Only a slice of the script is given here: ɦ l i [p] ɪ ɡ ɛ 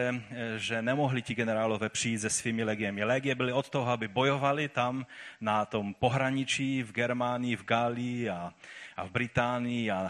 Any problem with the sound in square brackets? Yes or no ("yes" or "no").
yes